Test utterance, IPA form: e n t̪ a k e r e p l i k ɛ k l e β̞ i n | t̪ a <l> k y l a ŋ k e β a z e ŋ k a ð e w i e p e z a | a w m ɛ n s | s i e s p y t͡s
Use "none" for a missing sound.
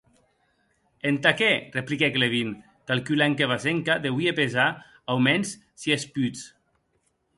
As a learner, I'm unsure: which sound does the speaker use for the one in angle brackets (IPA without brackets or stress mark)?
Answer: l